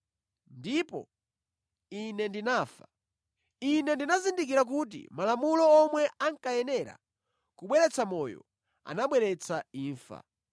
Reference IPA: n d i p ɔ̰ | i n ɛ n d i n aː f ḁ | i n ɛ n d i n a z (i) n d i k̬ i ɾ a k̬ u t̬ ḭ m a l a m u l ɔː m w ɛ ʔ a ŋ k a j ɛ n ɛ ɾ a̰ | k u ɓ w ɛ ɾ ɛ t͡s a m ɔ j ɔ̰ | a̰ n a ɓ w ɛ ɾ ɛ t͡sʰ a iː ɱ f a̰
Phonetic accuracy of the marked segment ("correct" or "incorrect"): correct